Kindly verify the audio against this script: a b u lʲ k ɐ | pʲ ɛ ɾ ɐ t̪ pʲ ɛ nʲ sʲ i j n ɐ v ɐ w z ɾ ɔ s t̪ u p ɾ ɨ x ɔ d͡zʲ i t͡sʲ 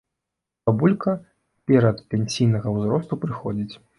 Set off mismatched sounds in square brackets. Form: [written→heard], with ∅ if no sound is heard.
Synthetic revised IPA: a b u lʲ k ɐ | pʲ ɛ ɾ ɐ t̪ pʲ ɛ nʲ sʲ i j n ɐ [v→ɣ] ɐ w z ɾ ɔ s t̪ u p ɾ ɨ x ɔ d͡zʲ i t͡sʲ